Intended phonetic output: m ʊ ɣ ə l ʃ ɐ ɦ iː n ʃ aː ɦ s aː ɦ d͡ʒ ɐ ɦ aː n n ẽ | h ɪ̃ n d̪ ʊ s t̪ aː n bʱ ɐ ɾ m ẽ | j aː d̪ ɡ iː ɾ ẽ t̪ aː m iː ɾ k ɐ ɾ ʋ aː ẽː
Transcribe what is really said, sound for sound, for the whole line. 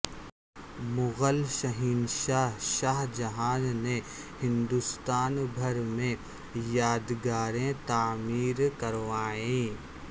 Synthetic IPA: m ʊ ɣ ə l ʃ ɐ ɦ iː n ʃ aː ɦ ʃ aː ɦ d͡ʒ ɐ ɦ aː n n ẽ | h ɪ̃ n d̪ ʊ s t̪ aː n bʱ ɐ ɾ m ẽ | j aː d̪ ɡ aː ɾ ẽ t̪ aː m iː ɾ k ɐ ɾ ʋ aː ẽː